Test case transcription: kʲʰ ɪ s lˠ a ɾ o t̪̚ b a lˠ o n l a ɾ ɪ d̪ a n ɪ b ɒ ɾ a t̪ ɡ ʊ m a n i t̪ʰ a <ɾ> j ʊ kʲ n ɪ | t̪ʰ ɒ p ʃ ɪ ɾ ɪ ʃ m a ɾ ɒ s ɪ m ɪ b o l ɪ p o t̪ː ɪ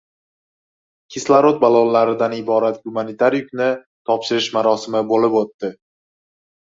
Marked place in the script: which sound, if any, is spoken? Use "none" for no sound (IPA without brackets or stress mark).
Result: ɾ